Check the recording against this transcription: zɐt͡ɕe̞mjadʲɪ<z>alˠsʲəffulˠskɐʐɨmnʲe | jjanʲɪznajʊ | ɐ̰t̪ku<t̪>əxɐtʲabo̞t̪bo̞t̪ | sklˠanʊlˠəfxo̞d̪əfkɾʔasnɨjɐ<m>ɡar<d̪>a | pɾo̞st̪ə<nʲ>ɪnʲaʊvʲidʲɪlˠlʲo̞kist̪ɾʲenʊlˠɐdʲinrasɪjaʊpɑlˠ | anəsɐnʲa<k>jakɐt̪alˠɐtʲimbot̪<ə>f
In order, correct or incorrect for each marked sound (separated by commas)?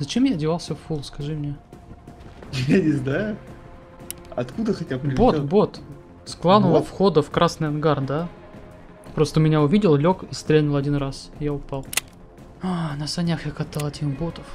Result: incorrect, incorrect, incorrect, correct, incorrect, incorrect, correct